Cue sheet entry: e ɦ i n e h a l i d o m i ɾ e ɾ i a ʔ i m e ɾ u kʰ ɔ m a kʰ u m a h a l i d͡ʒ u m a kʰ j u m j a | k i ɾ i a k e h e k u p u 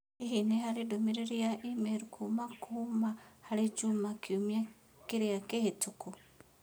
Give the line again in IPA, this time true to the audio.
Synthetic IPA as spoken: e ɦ i n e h a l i d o m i ɾ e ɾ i a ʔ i m e ɾ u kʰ u m a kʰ u m a h a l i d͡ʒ u m a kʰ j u m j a | k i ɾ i a k e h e t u k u